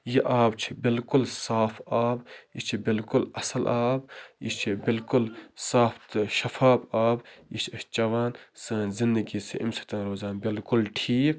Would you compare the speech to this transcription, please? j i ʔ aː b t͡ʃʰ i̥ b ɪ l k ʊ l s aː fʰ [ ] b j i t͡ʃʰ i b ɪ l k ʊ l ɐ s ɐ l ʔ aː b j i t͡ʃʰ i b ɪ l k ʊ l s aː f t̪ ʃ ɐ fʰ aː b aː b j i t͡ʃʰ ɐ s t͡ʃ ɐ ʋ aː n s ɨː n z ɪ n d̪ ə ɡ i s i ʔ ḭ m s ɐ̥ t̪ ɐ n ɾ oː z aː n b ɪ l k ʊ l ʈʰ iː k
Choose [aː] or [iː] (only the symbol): aː